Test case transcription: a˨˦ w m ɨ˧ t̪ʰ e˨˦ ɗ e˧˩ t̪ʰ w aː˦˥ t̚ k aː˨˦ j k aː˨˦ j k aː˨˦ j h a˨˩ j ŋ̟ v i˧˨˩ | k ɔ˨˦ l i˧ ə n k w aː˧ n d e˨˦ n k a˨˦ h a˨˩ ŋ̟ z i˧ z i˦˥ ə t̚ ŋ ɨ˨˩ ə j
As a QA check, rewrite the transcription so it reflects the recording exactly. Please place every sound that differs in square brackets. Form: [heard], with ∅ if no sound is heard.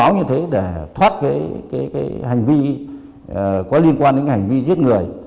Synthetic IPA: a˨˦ w [ɲ] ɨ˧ t̪ʰ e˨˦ ɗ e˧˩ t̪ʰ w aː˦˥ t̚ k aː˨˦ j k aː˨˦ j k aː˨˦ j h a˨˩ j ŋ̟ v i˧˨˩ | k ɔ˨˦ l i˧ ə n k w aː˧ n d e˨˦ n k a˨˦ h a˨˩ ŋ̟ [v] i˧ z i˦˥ ə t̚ ŋ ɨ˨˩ ə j